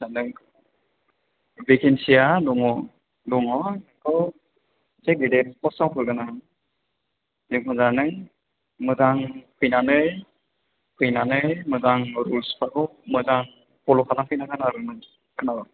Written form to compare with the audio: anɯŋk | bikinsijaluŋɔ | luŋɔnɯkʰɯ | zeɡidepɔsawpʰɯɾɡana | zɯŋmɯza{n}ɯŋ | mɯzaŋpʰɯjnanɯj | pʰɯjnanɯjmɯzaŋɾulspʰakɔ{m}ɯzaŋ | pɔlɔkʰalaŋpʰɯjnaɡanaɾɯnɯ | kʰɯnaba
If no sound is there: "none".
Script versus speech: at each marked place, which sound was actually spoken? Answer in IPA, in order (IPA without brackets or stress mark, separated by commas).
n, m